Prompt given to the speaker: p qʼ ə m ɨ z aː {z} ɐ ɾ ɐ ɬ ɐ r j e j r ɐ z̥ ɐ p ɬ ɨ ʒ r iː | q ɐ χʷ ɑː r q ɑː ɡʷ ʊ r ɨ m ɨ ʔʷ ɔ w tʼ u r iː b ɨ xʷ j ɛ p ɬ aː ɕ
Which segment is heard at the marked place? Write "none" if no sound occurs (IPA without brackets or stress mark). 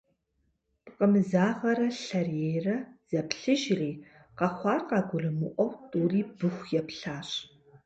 ʁ